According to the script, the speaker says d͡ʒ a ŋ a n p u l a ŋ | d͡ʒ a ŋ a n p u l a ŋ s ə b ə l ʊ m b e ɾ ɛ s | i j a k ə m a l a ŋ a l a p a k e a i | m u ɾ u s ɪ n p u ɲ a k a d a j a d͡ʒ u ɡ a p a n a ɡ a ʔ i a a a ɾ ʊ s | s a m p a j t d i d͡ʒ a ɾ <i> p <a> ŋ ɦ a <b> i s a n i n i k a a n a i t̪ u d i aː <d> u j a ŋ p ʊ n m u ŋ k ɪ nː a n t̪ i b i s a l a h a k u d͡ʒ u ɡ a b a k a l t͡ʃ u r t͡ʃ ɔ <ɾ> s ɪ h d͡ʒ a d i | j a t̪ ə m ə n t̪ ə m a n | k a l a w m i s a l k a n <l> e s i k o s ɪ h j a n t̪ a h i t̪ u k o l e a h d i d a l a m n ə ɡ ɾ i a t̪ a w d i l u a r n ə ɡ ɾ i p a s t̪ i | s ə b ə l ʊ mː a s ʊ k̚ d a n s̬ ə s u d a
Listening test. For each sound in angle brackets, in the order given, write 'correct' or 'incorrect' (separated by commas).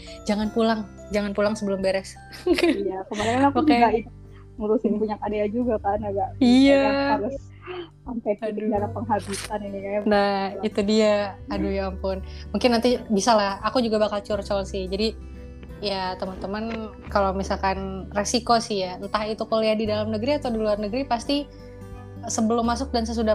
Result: incorrect, incorrect, correct, correct, incorrect, incorrect